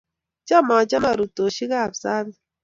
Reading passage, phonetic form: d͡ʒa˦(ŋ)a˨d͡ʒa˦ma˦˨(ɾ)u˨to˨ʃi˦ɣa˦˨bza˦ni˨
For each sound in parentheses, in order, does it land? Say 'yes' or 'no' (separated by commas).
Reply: no, yes